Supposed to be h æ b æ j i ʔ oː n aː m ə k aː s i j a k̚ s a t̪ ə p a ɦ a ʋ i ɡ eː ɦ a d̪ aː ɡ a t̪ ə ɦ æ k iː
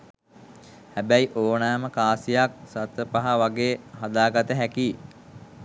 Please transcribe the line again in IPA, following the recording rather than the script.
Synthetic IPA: h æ b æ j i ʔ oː n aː m ə k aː s i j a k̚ s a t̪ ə p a ɦ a ʋ a ɡ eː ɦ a d̪ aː ɡ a t̪ ə ɦ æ k iː

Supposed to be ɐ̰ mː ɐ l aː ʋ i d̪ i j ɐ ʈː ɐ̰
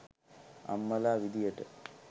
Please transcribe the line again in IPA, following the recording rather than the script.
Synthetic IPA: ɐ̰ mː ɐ l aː ʋ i d̪ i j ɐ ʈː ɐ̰

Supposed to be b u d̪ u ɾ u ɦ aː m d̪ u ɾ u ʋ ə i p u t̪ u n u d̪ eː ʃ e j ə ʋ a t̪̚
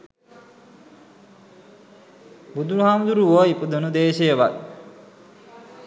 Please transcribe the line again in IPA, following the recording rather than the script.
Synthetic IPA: b u d̪ u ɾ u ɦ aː m d̪ u ɾ u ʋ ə i p u d̪ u n u d̪ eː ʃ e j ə ʋ a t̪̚

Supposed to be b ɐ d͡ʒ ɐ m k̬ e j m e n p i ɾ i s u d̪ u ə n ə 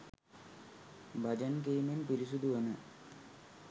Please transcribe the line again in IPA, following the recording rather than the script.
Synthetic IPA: b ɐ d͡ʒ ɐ n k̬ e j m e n p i ɾ i s u d̪ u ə n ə

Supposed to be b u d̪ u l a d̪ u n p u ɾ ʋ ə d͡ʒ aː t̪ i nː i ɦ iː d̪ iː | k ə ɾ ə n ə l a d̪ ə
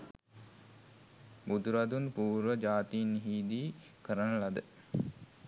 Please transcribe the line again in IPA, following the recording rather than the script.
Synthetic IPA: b u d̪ u ɾ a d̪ u n p uː ɾ ʋ ə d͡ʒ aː t̪ i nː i ɦ iː d̪ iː | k ə ɾ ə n ə l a d̪ ə

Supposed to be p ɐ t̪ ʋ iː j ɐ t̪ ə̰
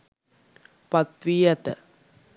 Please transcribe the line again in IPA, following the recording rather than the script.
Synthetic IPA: p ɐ t̪ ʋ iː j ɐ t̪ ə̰

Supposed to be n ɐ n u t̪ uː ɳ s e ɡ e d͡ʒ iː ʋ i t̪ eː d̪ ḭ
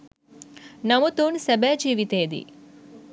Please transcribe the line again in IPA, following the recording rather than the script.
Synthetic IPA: n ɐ m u t̪ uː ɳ s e b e d͡ʒ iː ʋ i t̪ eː d̪ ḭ

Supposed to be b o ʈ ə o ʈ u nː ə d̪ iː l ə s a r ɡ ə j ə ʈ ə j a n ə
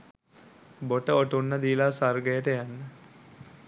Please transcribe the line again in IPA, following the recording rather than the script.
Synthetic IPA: b o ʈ ə o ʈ u nː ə d̪ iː l a s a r ɡ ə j ə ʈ ə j a nː ə

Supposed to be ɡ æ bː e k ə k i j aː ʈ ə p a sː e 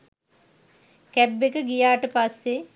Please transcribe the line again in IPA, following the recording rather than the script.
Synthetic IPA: k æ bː e k ə ɡ i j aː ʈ ə p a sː e

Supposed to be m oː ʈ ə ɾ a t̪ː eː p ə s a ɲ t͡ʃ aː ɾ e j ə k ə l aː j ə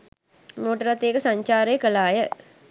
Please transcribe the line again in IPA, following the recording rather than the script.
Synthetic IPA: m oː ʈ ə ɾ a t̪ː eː k ə s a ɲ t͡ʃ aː ɾ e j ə k ə l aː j ə

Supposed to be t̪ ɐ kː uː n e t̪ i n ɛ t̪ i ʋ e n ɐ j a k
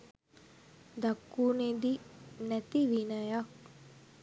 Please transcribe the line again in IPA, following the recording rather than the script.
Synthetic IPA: d̪ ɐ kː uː n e d̪ i n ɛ t̪ i ʋ i n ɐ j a k

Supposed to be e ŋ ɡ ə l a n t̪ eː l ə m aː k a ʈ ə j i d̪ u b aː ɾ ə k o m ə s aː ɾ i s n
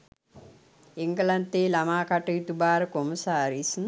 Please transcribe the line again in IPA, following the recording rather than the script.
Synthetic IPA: e ŋ ɡ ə l a n t̪ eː l a m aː k a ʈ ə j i t̪ u b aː ɾ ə k o m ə s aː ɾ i s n

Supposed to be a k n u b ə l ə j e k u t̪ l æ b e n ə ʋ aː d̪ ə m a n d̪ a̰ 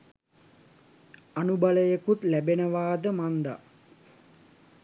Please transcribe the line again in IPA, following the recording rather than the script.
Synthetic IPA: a n u b a l ə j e k u t̪ l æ b e n ə ʋ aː d̪ ə m a n d̪ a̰

